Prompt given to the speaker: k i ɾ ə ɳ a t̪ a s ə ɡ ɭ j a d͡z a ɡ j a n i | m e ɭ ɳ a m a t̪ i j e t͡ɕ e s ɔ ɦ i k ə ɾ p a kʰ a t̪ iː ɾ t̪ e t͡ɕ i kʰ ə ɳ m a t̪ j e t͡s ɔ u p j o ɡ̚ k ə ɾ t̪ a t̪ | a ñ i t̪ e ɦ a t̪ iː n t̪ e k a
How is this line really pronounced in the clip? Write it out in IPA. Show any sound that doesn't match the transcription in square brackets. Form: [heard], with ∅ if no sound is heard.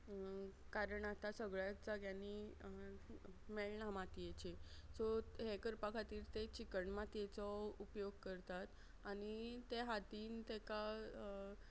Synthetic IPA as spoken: k [a] ɾ ə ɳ a t̪ a s ə ɡ ɭ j a d͡z a ɡ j a n i | m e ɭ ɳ a m a t̪ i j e t͡ɕ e s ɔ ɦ [e] k ə ɾ p a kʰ a t̪ iː ɾ t̪ e t͡ɕ i [k] ə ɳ m a t̪ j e t͡s ɔ u p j o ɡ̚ k ə ɾ t̪ a t̪ | a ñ i t̪ e ɦ a t̪ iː n t̪ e k a